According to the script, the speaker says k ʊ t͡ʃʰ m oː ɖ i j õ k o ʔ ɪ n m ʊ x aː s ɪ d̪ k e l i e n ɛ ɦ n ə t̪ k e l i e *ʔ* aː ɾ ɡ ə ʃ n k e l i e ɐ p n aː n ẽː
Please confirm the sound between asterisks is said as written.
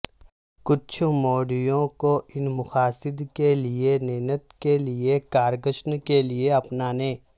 no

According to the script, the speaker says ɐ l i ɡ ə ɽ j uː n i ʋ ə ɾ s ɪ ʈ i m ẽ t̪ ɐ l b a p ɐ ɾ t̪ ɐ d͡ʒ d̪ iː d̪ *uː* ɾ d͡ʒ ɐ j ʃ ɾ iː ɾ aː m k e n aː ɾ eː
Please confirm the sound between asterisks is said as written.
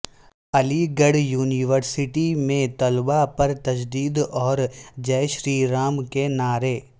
no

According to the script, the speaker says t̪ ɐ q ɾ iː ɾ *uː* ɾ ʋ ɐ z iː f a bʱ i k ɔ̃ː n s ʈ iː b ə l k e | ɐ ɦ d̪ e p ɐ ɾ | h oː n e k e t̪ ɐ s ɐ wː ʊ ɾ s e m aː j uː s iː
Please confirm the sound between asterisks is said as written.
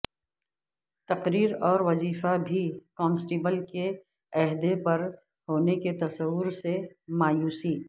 no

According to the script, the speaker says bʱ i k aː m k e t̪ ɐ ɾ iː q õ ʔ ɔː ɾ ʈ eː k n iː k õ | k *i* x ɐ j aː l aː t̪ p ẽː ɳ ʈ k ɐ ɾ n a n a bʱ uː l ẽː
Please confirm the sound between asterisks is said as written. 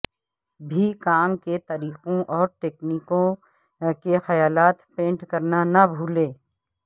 no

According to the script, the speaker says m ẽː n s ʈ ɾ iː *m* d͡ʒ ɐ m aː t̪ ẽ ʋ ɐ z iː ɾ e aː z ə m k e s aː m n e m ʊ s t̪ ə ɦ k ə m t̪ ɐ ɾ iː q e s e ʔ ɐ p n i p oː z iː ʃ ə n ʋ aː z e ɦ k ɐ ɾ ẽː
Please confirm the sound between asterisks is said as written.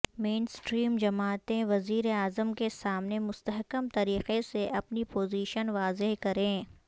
yes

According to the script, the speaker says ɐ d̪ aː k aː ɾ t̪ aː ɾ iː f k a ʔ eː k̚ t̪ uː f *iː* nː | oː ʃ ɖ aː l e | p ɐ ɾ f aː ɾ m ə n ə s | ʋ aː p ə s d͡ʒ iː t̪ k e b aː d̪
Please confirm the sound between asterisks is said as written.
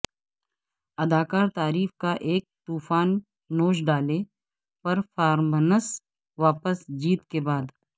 no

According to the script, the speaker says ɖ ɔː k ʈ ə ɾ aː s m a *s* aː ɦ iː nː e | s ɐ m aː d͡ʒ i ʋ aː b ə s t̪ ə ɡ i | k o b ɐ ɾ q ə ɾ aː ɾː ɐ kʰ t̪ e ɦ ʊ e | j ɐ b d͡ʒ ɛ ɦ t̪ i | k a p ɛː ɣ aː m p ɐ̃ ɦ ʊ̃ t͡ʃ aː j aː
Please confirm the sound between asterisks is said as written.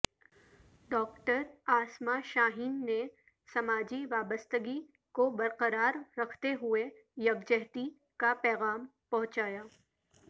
no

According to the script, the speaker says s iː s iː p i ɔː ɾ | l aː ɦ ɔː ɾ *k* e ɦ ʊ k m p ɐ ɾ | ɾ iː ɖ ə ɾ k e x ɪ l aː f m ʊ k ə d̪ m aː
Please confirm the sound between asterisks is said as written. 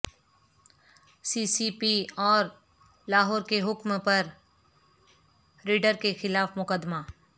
yes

